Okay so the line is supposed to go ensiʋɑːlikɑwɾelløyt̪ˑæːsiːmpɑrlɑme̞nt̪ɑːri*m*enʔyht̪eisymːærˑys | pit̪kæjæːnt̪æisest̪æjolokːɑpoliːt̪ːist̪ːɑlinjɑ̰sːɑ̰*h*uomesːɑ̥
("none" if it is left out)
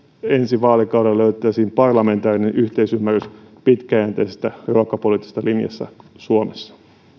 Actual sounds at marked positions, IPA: n, s

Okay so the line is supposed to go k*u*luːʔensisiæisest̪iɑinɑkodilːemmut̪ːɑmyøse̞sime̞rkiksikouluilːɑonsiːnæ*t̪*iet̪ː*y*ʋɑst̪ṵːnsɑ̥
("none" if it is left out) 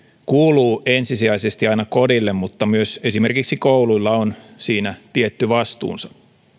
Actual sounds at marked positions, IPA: uː, t̪, y

